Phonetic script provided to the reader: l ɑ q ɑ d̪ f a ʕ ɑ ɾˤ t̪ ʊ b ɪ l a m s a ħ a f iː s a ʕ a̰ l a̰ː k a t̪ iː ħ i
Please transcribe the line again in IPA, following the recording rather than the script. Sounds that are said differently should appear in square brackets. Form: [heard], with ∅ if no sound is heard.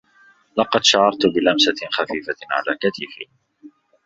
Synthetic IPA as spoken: l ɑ q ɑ d̪ [ʃ] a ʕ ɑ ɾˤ t̪ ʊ b ɪ l a m s a [x] a f iː [f] a ʕ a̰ l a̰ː k a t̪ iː [f] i